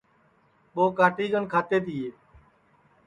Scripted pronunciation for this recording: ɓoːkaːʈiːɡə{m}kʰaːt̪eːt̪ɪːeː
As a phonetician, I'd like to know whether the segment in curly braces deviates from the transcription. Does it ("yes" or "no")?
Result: yes